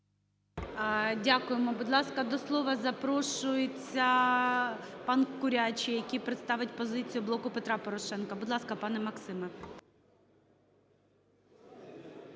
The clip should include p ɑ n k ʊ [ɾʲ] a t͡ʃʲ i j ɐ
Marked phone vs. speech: correct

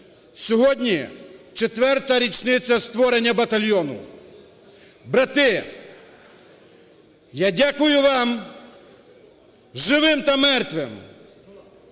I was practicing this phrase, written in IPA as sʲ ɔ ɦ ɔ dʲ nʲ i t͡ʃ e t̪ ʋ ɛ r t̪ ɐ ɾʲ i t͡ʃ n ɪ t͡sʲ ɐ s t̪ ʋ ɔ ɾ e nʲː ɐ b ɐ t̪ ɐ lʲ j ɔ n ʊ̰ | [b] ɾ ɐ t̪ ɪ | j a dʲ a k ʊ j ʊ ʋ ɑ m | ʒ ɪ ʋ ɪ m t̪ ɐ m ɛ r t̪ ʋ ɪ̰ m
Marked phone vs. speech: correct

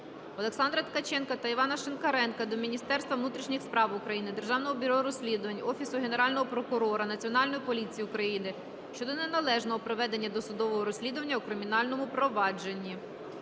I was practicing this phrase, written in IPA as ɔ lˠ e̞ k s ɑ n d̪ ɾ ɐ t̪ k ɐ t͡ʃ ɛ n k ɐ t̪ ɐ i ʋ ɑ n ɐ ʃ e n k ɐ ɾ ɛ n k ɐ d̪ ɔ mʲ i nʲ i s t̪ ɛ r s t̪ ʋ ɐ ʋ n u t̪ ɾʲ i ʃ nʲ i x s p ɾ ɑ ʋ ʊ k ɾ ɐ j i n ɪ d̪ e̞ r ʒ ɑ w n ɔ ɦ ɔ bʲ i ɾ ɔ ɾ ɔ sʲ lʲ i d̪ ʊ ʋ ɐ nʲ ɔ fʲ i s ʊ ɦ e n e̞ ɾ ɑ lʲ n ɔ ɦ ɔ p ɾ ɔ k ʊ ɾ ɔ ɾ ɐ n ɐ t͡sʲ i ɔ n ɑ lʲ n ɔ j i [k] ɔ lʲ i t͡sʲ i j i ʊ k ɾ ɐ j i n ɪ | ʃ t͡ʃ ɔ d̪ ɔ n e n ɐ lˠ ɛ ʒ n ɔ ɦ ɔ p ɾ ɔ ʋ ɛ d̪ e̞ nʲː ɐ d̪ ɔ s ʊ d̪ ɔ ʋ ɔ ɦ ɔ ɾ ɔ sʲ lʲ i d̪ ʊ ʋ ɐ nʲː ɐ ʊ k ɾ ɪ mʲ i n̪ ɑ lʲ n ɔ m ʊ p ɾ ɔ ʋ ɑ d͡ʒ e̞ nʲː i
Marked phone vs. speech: incorrect: p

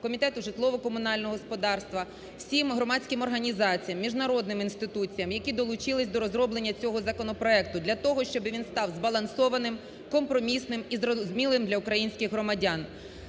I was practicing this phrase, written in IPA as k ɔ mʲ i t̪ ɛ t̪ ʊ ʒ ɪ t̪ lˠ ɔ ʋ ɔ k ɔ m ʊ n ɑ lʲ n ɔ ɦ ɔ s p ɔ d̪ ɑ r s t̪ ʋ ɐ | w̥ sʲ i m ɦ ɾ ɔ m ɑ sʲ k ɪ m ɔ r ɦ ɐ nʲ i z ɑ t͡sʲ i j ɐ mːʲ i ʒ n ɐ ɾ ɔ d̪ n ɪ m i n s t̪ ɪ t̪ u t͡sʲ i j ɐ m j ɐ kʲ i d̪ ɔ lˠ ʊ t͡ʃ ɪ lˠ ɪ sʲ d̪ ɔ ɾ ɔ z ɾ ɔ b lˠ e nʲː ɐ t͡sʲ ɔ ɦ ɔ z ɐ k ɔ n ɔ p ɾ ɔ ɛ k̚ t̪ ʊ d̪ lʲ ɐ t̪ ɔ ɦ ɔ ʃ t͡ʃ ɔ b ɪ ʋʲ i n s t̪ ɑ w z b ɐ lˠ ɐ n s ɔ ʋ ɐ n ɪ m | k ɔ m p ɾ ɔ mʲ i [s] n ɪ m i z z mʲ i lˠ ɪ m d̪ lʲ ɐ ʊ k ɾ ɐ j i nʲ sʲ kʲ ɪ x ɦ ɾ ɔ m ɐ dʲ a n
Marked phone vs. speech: correct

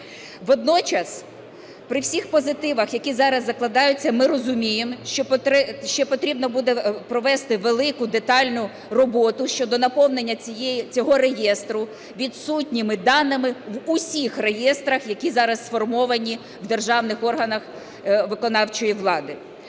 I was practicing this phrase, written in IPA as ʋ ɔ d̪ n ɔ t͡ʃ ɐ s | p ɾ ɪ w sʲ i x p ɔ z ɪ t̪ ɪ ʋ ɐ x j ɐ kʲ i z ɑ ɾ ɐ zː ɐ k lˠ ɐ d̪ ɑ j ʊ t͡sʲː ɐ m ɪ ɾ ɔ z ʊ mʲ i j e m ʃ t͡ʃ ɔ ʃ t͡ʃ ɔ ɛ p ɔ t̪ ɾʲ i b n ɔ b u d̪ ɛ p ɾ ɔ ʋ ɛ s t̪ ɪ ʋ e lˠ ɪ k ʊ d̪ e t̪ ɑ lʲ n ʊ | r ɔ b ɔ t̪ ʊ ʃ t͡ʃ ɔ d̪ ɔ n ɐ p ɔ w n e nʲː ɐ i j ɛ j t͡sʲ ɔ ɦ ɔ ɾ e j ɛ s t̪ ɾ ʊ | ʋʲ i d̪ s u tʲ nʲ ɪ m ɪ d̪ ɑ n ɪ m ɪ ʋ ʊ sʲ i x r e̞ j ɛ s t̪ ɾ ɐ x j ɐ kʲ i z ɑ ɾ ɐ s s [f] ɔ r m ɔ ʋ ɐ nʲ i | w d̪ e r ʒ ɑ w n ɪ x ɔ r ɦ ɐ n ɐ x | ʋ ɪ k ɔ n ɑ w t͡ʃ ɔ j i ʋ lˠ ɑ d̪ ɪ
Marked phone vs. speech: correct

